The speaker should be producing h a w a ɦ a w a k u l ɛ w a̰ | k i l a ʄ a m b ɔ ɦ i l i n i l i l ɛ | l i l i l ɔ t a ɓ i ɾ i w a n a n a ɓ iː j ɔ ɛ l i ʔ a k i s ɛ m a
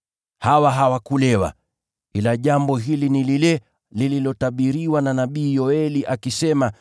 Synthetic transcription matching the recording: h a w a ɦ a w a k u l ɛ w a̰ | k i l a ʄ a m b ɔ ɦ i l i n i l i l ɛ | l i l i l ɔ t a ɓ i ɾ i w a n a n a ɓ iː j ɔ ɛ l i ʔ a k i s ɛ m a

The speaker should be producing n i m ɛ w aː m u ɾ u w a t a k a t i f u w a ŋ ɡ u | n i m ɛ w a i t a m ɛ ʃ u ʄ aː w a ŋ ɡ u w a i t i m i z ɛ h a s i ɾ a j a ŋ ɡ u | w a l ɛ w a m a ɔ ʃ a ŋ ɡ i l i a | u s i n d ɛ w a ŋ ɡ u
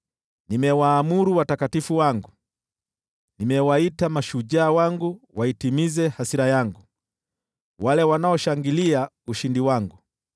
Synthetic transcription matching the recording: n i m ɛ w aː m u ɾ u w a t a k a t i f u w a ŋ ɡ u | n i m ɛ w a i t a m a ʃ u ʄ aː w a ŋ ɡ u w a i t i m i z ɛ h a s i ɾ a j a ŋ ɡ u | w a l ɛ w a n a ɔ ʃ a ŋ ɡ i l i a | u ʃ i n d i w a ŋ ɡ u

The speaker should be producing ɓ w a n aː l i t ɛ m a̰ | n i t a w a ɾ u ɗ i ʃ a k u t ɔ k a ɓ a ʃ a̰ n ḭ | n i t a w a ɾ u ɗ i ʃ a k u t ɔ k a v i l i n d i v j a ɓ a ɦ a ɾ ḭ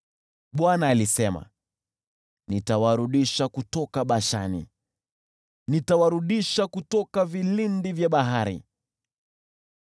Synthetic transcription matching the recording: ɓ w a n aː l i s ɛ m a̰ | n i t a w a ɾ u ɗ i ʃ a k u t ɔ k a ɓ a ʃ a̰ n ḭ | n i t a w a ɾ u ɗ i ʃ a k u t ɔ k a v i l i n d i v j a ɓ a ɦ a ɾ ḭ

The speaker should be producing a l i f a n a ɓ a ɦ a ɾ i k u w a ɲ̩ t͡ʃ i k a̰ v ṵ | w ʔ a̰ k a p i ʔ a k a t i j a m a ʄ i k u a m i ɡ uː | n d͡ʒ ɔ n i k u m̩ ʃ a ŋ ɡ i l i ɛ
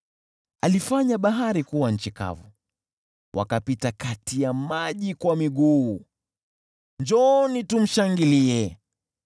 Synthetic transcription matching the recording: a l i f a ɲ a ɓ a ɦ a ɾ i k u w a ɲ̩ t͡ʃ i k a̰ v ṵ | w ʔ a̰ k a p i t a k a t i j a m a ʄ i k w a m i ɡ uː | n d͡ʒ ɔ n i t u m̩ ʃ a ŋ ɡ i l i ɛ

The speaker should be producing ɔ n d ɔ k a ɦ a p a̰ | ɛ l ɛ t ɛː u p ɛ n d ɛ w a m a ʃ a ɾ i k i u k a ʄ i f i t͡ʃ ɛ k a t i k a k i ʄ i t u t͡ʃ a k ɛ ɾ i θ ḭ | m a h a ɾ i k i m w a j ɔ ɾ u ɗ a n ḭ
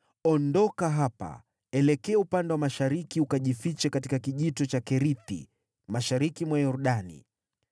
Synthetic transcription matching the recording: ɔ n d ɔ k a ɦ a p a̰ | ɛ l ɛ k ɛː u p a n d ɛ w a m a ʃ a ɾ i k i u k a ʄ i f i t͡ʃ ɛ k a t i k a k i ʄ i t ɔ t͡ʃ a k ɛ ɾ i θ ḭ | m a ʃ a ɾ i k i m w a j ɔ ɾ u ɗ a n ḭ

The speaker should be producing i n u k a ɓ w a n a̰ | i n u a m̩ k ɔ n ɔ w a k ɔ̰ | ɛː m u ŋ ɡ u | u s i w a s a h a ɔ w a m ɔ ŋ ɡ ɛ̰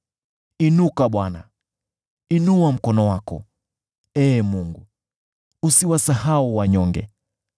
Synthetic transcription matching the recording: i n u k a ɓ w a n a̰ | i n u a m̩ k ɔ n ɔ w a k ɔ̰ | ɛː m u ŋ ɡ u | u s i w a s a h a u w a ɲ ɔ ŋ ɡ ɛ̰

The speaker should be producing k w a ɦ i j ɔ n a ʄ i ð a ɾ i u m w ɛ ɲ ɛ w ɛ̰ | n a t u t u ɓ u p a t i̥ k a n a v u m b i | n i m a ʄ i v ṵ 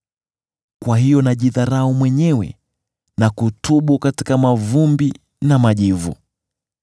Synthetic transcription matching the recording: k w a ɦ i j ɔ n a ʄ i ð a ɾ a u m w ɛ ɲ ɛ w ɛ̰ | n a k u t u ɓ u k a t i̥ k a m a v u m b i | n a m a ʄ i v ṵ

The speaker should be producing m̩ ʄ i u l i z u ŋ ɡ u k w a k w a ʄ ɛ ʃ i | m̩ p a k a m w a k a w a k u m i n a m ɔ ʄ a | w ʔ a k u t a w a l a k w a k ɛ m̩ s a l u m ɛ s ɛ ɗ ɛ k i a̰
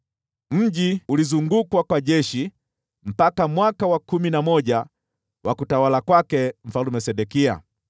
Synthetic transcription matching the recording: m̩ ʄ i u l i z u ŋ ɡ u k w a k w a ʄ ɛ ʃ i | m̩ p a k a m w a k a w a k u m i n a m ɔ ʄ a | w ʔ a k u t a w a l a k w a k ɛ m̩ f a l u m ɛ s ɛ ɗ ɛ k i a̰

